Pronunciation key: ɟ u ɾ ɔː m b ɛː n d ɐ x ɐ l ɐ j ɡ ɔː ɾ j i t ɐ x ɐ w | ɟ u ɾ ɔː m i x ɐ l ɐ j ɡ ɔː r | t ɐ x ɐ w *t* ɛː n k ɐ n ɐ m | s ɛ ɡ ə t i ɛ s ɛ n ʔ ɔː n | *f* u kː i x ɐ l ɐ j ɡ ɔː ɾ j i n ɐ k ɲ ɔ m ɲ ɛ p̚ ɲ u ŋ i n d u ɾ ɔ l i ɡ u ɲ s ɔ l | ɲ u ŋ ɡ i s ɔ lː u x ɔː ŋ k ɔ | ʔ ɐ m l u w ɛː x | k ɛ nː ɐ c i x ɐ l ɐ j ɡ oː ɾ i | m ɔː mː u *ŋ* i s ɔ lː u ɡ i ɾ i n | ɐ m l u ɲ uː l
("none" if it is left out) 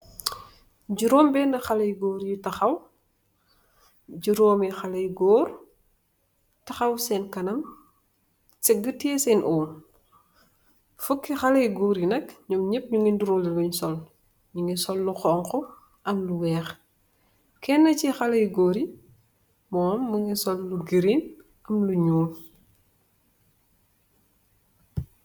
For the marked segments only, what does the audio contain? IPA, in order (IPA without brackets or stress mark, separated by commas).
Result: s, f, ŋ